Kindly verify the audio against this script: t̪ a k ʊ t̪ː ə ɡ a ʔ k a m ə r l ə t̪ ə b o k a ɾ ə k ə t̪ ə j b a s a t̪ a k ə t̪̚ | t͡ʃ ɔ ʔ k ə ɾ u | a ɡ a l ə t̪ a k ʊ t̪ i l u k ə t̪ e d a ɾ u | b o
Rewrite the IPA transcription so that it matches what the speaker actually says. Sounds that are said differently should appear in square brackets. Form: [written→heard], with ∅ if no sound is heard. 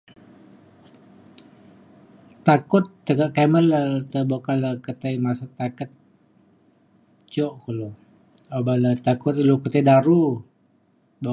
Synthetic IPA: t̪ a k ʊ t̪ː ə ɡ a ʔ k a m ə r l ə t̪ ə b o k a [ɾ→l] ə k ə t̪ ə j [b→m] a s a t̪ a k ə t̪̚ | t͡ʃ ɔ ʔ k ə [ɾ→l] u | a [ɡ→b] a l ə t̪ a k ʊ t̪ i l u k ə t̪ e d a ɾ u | b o